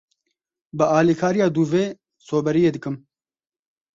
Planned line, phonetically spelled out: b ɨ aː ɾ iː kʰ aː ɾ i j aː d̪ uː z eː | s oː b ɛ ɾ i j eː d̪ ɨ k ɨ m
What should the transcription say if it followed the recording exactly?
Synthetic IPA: b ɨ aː l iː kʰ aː ɾ i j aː d̪ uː v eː | s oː b ɛ ɾ i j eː d̪ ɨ k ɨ m